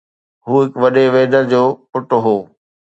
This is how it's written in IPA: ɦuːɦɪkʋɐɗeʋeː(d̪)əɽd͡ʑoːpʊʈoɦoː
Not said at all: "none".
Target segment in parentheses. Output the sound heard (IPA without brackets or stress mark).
d̪